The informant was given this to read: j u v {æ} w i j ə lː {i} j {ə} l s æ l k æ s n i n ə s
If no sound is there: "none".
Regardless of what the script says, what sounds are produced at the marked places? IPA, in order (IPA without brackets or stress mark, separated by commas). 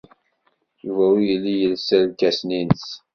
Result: æ, i, ə